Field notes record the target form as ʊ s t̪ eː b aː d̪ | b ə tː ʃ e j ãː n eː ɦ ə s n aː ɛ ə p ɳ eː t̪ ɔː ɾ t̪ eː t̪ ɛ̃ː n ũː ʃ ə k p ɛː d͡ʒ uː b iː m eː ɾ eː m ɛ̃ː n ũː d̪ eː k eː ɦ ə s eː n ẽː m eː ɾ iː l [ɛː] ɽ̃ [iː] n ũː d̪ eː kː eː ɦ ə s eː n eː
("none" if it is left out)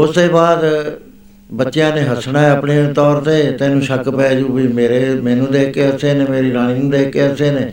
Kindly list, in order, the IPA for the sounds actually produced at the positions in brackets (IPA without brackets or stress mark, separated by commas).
aː, iː